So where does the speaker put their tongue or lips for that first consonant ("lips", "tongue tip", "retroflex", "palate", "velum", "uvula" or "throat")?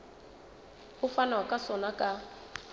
lips